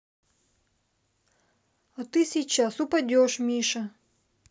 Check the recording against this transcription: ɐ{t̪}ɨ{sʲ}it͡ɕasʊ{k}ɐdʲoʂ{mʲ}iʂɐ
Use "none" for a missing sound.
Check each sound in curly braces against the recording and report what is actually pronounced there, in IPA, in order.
t̪, sʲ, p, mʲ

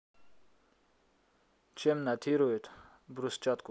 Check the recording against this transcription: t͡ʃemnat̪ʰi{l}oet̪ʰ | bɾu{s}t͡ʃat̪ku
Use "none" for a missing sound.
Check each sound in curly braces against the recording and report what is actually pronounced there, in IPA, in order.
ɾ, s

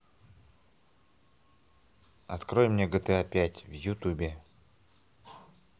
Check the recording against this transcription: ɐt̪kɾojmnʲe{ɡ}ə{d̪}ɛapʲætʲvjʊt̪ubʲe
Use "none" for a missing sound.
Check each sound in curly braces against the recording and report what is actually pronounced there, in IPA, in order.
ɡ, t̪

